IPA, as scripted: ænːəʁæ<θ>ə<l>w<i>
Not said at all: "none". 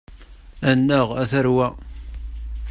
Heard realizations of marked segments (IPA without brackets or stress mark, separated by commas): θ, ɾ, æ